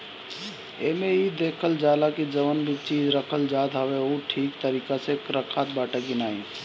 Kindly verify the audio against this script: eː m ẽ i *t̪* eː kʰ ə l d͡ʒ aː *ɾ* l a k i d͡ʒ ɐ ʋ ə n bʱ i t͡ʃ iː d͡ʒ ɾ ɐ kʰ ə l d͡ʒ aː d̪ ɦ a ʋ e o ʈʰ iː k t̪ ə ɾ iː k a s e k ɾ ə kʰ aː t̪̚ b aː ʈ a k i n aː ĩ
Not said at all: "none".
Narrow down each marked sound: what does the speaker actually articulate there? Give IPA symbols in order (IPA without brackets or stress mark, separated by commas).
d̪, none